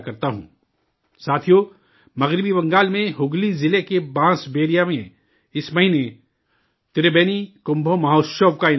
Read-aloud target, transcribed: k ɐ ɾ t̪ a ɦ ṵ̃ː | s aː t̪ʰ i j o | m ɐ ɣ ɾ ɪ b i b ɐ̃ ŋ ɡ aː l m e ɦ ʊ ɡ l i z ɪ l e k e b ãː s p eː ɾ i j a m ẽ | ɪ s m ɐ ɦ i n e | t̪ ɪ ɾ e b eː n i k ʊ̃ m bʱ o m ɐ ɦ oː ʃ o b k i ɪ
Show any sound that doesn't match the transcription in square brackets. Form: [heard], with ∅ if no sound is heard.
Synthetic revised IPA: k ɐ ɾ t̪ a ɦ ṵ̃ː | s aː t̪ʰ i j o | m ɐ ɣ ɾ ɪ b i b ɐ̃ ŋ ɡ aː l m [ẽ] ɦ ʊ ɡ l i z ɪ l e k e b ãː s [b] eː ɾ i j a m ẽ | ɪ s m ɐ ɦ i n e | t̪ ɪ ɾ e b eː n i k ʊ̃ m bʱ o m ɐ ɦ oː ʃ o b k [a] ɪ